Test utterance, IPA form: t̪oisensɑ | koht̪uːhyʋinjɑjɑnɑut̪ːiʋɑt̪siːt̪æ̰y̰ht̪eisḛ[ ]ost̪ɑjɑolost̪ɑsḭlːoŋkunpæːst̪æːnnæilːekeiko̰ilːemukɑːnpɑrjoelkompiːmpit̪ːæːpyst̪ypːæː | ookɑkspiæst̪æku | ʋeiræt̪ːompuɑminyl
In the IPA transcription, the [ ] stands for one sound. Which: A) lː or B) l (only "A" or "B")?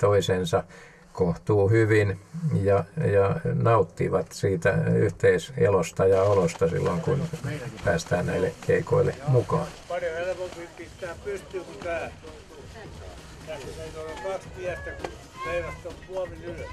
B